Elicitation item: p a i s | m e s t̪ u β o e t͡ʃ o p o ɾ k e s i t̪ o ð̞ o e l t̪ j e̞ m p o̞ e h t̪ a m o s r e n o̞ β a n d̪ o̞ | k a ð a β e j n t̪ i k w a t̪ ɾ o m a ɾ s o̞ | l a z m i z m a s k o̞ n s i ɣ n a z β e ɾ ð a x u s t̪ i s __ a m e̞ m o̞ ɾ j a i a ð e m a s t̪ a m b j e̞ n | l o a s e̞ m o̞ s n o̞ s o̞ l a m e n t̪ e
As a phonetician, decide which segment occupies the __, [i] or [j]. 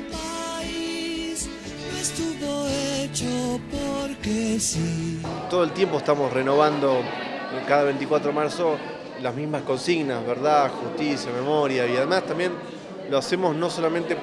j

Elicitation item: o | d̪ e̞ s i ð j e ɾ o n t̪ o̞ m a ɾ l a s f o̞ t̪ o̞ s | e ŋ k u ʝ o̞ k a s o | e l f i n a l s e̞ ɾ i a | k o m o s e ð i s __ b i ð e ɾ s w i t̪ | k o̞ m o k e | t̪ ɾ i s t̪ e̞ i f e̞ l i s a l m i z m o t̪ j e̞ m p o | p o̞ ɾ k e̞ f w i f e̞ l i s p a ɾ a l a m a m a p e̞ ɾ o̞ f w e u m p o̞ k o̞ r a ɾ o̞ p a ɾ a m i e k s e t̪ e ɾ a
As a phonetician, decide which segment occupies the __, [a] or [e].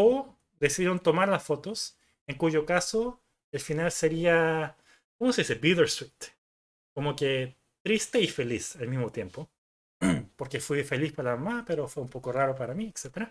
e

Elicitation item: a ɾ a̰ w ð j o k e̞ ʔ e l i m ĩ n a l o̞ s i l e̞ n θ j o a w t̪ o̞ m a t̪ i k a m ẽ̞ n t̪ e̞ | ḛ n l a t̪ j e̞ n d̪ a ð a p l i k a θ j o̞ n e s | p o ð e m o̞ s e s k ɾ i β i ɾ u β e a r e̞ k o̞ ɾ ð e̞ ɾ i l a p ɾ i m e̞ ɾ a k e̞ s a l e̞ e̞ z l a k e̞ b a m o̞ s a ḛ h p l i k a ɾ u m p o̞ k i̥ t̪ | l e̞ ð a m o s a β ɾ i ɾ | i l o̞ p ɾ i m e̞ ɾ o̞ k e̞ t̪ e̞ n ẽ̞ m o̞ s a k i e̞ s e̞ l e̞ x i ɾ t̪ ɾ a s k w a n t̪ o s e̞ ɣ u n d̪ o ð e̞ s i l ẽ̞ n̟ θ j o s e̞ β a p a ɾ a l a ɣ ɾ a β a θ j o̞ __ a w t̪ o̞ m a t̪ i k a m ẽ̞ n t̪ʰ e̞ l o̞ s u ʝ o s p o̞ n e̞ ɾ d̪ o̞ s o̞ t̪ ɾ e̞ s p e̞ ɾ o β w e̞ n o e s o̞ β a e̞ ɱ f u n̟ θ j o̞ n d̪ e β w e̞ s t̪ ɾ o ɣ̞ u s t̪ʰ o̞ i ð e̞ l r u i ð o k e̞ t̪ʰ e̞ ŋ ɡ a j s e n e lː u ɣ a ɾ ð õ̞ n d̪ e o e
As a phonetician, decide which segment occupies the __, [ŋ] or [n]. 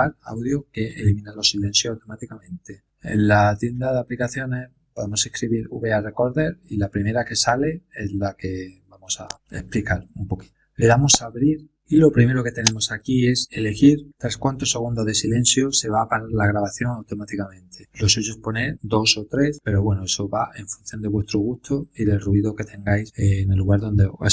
ŋ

